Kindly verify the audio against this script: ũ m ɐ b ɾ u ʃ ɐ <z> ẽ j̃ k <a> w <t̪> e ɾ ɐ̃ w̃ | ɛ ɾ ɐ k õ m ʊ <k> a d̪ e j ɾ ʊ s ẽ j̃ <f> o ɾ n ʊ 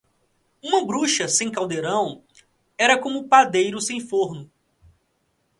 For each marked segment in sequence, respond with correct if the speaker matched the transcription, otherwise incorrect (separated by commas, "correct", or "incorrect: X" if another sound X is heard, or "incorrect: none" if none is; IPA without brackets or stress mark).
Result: incorrect: s, correct, incorrect: d̪, incorrect: p, correct